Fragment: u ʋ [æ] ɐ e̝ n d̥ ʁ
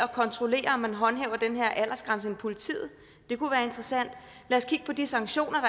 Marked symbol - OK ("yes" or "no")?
no